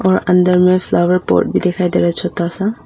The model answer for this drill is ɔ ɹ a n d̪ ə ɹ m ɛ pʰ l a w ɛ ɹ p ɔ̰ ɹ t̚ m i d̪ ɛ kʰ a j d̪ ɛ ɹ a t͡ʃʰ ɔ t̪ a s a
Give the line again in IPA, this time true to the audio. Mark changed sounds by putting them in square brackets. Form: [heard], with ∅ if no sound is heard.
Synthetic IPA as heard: ɔ ɹ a n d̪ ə ɹ m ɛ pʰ l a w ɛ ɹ p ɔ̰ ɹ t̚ [b] i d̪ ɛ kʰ a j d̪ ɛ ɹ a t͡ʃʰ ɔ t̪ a s a